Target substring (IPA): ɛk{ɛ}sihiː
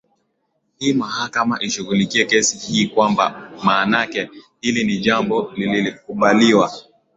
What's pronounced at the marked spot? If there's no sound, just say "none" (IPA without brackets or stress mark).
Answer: ɛ